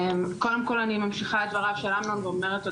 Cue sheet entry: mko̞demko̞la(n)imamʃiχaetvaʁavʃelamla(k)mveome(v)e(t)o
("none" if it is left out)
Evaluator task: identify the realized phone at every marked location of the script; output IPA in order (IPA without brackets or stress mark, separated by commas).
n, none, ʁ, t